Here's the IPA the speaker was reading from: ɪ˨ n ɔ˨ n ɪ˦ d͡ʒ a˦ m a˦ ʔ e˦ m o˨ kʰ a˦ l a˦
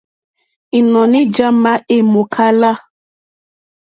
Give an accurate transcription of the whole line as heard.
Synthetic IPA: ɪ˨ n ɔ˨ n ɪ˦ d͡ʒ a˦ m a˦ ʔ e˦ m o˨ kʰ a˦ l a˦